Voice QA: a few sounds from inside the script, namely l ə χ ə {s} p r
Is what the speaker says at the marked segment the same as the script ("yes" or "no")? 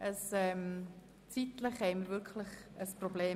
yes